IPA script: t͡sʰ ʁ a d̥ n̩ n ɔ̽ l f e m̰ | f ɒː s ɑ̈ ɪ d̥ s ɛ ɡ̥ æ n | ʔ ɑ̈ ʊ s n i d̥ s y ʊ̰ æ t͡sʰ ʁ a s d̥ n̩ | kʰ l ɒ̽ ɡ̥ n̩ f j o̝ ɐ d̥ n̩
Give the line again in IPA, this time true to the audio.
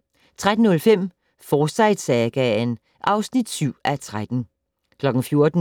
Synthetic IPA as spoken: t͡sʰ ʁ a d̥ n̩ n ɔ̽ l f e m̰ | f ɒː s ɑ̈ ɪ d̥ s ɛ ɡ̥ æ n | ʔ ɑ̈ ʊ s n i d̥ s y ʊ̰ æ t͡sʰ ʁ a d̥ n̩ | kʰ l ɒ̽ ɡ̥ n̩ f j o̝ ɐ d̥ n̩